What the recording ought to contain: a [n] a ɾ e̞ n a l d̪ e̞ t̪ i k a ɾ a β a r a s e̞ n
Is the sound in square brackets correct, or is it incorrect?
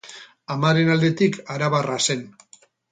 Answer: incorrect